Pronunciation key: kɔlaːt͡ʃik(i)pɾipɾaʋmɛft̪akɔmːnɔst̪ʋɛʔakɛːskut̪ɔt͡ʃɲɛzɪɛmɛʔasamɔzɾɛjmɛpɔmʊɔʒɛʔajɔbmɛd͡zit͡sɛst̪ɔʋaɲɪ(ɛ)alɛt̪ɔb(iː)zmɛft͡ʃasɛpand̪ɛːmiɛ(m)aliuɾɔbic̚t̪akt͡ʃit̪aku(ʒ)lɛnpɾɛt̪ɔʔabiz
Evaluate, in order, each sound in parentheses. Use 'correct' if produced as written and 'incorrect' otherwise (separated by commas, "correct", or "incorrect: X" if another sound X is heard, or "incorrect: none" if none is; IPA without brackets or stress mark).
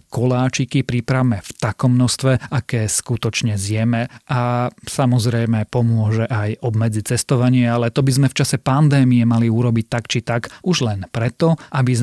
correct, correct, incorrect: i, correct, correct